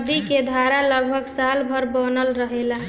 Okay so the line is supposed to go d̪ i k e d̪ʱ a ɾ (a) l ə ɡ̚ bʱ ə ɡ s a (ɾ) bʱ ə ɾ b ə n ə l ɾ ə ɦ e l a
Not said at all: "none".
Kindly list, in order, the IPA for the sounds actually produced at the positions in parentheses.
a, l

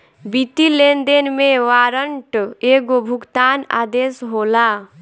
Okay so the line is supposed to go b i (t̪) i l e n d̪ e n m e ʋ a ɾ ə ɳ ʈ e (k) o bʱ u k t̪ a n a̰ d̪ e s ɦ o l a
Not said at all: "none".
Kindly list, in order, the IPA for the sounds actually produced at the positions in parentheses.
t̪, ɡ

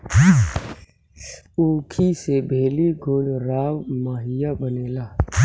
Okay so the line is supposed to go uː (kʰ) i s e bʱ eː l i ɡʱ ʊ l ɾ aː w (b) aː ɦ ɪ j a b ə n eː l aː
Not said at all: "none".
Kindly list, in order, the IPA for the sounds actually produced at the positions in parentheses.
kʰ, m

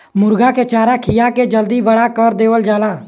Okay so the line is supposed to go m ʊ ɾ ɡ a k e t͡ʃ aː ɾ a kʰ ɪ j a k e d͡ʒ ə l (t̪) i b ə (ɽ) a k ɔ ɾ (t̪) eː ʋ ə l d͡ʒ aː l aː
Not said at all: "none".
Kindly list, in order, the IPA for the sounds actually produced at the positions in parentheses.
d̪, ɽ, d̪

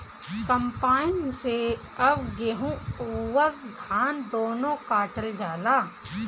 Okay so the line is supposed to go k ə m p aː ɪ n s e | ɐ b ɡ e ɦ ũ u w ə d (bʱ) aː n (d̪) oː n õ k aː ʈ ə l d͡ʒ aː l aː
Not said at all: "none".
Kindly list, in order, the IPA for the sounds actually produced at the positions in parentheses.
ɡʱ, d̪

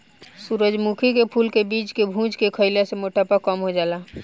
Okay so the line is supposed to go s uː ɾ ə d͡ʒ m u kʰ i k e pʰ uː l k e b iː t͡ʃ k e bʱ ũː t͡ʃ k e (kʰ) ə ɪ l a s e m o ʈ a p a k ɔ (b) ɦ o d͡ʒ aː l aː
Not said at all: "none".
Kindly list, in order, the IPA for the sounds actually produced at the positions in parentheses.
kʰ, m

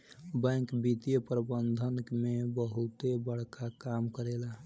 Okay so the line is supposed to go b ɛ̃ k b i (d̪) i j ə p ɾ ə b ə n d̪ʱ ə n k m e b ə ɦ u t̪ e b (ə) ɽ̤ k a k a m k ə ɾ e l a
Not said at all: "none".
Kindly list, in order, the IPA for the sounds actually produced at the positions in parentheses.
t̪, ə

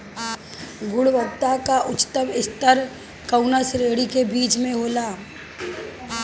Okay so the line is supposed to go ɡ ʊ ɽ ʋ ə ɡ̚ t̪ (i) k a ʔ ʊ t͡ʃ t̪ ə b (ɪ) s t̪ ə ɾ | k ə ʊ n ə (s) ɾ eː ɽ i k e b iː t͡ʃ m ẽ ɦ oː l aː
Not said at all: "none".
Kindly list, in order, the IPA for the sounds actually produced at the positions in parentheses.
a, ɪ, s

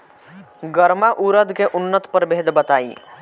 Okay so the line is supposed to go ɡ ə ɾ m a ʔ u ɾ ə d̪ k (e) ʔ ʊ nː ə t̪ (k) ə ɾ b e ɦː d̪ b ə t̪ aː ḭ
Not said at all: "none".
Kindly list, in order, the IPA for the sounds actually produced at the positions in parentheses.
e, p

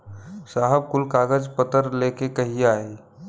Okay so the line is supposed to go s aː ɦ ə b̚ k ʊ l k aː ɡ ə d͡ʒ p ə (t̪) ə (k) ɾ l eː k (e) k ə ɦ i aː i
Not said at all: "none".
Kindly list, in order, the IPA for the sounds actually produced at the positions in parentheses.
t̪, none, e

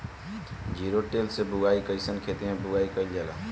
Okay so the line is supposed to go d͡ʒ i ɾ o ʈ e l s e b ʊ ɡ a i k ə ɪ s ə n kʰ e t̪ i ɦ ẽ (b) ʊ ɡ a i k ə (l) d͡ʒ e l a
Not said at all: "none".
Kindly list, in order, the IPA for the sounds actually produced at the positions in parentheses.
b, l

